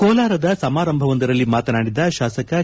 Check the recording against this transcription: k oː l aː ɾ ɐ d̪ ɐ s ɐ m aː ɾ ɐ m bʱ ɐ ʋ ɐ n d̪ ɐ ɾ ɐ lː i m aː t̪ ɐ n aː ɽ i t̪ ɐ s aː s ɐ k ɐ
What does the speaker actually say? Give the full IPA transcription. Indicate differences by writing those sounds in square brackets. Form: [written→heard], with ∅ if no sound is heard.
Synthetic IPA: k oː l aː ɾ ɐ d̪ ɐ s ɐ m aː ɾ ɐ m bʱ ɐ ʋ ɐ n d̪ ɐ ɾ ɐ lː i m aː t̪ ɐ n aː ɽ i [t̪→d̪] ɐ [s→ʃ] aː s ɐ k ɐ

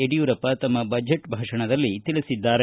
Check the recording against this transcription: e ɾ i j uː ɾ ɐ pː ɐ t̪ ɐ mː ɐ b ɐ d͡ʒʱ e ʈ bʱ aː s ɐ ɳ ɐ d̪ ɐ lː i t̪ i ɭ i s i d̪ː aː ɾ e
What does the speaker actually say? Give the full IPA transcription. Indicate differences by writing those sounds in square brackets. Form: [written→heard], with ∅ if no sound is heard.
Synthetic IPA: e [ɾ→ɽ] i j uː ɾ ɐ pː ɐ t̪ ɐ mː ɐ b ɐ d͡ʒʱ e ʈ bʱ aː [s→ʂ] ɐ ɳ ɐ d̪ ɐ lː i t̪ i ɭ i s i d̪ː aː ɾ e

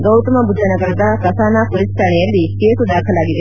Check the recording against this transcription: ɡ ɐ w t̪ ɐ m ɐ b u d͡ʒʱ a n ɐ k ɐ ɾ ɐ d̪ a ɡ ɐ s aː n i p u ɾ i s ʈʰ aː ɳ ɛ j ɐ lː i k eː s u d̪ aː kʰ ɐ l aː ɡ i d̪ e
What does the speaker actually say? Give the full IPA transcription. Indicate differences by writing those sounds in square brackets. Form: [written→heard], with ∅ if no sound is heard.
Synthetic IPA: ɡ ɐ w t̪ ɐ m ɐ b u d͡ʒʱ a n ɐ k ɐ ɾ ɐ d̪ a [ɡ→k] ɐ s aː n [i→a] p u ɾ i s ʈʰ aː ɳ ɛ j ɐ lː i k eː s u d̪ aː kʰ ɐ l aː ɡ i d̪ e

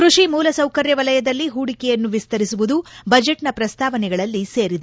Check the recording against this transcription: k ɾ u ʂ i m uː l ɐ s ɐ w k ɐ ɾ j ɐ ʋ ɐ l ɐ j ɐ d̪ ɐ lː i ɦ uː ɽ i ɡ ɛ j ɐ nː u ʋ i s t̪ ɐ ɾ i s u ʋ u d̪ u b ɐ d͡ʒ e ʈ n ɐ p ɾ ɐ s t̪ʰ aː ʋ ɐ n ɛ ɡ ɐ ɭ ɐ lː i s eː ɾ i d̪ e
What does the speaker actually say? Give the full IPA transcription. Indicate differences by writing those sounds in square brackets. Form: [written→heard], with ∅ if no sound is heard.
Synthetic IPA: k ɾ u ʂ i m uː l ɐ s ɐ w k ɐ ɾ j ɐ ʋ ɐ l ɐ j ɐ d̪ ɐ lː i ɦ uː ɽ i [ɡ→k] ɛ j ɐ nː u ʋ i s t̪ ɐ ɾ i s u ʋ u d̪ u b ɐ d͡ʒ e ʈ n ɐ p ɾ ɐ s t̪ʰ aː ʋ ɐ n ɛ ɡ ɐ ɭ ɐ lː i s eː ɾ i d̪ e

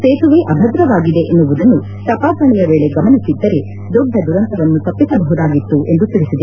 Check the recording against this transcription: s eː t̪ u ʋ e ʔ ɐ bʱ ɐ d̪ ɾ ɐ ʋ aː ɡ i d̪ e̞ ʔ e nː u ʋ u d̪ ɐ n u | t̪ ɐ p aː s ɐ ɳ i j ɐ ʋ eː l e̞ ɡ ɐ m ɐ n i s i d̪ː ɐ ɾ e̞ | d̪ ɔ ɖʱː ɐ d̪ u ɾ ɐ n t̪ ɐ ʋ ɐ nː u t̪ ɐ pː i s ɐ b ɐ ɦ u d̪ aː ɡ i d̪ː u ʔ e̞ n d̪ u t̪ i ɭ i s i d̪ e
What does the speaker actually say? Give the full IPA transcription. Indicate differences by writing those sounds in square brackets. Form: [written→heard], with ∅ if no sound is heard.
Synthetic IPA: s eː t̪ u ʋ e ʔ ɐ bʱ ɐ d̪ ɾ ɐ ʋ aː ɡ i d̪ e̞ ʔ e nː u ʋ u d̪ ɐ [n→nː] u | t̪ ɐ p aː s ɐ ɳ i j ɐ ʋ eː [l→ɭ] e̞ ɡ ɐ m ɐ n i s i d̪ː ɐ ɾ e̞ | d̪ ɔ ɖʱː ɐ d̪ u ɾ ɐ n t̪ ɐ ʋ ɐ nː u t̪ ɐ pː i s ɐ b ɐ ɦ u d̪ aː ɡ i [d̪ː→t̪ː] u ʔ e̞ n d̪ u t̪ i ɭ i s i d̪ e

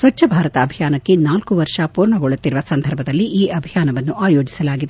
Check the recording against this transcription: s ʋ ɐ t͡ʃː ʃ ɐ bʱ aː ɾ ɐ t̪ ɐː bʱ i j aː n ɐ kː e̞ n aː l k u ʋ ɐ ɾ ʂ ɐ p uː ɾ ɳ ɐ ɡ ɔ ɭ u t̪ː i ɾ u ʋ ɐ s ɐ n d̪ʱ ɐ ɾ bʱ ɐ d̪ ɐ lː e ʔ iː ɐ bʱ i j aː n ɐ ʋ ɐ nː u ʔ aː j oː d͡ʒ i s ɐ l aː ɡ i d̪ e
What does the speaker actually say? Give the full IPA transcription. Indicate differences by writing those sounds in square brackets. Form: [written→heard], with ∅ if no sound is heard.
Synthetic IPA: s ʋ ɐ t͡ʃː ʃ ɐ bʱ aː ɾ ɐ t̪ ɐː bʱ i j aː n ɐ kː e̞ n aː l k u ʋ ɐ ɾ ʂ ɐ p uː ɾ ɳ ɐ ɡ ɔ ɭ u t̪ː i ɾ u ʋ ɐ s ɐ n d̪ʱ ɐ ɾ bʱ ɐ d̪ ɐ lː [e→i] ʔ iː ɐ bʱ i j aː n ɐ ʋ ɐ nː u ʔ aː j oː d͡ʒ i s ɐ l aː ɡ i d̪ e

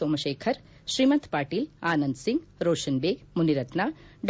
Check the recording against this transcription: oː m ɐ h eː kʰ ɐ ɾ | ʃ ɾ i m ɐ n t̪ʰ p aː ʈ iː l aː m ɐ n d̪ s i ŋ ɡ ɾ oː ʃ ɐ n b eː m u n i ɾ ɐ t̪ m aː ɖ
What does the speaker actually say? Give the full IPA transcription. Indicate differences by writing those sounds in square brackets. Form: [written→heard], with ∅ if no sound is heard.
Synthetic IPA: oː m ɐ [h→ʃ] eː kʰ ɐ ɾ | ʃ ɾ i m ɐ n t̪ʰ p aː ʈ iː l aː [m→n] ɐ n d̪ s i ŋ ɡ ɾ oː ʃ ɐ n b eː m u n i ɾ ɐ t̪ [m→n] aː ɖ

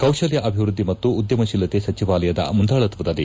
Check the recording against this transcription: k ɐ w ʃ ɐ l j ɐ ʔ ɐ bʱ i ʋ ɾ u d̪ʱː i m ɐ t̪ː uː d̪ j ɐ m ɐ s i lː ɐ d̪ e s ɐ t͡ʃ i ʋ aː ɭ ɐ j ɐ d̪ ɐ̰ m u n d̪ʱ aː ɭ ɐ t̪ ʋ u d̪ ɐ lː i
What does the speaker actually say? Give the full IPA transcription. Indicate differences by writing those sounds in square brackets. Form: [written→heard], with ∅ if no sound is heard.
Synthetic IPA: k ɐ w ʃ ɐ l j ɐ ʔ ɐ bʱ i ʋ ɾ u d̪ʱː i m ɐ t̪ː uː d̪ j ɐ m ɐ [s→ʃ] i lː ɐ [d̪→t̪] e s ɐ t͡ʃ i ʋ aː [ɭ→l] ɐ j ɐ d̪ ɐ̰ m u n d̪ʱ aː ɭ ɐ t̪ ʋ u d̪ ɐ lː i

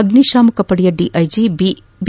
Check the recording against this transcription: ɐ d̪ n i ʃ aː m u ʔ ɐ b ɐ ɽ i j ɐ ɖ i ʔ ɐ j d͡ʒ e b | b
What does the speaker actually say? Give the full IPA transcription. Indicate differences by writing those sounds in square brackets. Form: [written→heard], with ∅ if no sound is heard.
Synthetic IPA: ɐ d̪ n i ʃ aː m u [ʔ→k] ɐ [b→p] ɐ ɽ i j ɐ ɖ i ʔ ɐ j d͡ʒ [e→i] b | b

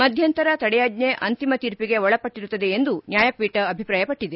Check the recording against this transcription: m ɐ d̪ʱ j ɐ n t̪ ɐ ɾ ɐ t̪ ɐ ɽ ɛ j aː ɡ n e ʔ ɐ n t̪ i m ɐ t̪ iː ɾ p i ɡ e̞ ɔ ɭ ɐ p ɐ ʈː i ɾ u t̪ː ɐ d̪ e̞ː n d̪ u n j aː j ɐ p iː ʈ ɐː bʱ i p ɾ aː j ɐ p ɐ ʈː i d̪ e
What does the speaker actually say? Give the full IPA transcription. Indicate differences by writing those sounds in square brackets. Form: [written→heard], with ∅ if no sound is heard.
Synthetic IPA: m ɐ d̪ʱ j ɐ n t̪ ɐ ɾ ɐ t̪ ɐ ɽ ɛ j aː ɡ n e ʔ ɐ n t̪ i m ɐ t̪ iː ɾ p i ɡ e̞ ɔ ɭ ɐ p ɐ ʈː i ɾ u t̪ː ɐ d̪ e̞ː n d̪ u n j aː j ɐ p iː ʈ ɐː bʱ i p ɾ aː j ɐ p ɐ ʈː i d̪ e

